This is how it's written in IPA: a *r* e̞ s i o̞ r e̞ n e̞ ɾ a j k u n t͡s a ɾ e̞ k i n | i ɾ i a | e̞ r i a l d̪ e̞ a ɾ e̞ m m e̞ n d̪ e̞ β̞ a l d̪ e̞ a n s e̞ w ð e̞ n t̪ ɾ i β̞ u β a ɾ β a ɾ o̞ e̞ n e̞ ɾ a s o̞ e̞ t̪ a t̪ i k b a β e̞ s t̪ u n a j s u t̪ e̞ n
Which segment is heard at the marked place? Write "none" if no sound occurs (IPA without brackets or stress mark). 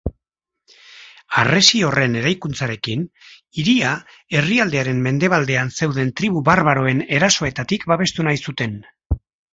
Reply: r